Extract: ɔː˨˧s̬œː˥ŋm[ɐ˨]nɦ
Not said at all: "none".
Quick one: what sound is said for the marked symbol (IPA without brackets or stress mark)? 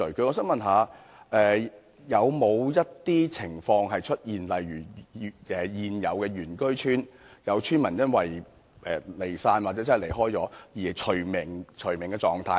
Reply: ɐ˨